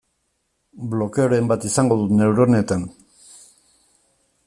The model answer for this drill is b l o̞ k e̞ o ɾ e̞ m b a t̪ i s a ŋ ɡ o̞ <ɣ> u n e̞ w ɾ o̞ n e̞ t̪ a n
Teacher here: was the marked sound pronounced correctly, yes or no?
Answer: no